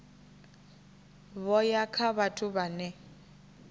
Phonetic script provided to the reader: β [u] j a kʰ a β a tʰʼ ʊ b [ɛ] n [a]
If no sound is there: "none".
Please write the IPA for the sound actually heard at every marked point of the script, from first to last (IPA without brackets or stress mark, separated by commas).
ɔ, a, ɛ